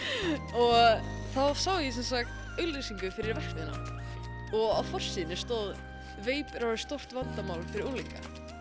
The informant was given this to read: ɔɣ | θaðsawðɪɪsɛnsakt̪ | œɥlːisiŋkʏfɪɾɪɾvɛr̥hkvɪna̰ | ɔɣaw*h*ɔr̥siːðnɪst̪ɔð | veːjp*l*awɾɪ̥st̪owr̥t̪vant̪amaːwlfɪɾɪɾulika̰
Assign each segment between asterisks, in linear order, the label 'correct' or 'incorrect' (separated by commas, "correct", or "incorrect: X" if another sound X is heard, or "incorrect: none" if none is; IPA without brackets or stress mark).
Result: incorrect: f, incorrect: ɾ